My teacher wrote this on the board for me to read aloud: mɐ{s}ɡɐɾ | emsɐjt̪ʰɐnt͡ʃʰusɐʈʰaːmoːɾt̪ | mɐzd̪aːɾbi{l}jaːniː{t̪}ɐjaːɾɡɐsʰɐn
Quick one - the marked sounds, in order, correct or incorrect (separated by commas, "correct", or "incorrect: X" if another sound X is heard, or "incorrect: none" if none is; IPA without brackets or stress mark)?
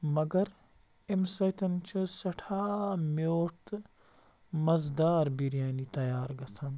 incorrect: none, incorrect: ɾ, correct